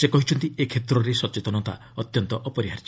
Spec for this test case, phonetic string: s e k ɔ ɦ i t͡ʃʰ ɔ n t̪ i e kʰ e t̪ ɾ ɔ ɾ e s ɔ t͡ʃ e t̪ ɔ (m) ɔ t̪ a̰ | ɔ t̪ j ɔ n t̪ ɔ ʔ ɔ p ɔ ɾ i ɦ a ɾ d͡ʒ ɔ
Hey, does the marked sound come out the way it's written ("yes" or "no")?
no